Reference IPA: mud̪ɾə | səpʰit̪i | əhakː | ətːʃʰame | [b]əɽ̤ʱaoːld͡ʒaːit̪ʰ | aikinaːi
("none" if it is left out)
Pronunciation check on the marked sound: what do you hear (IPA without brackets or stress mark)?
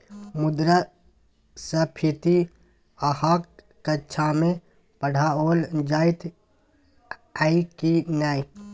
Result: p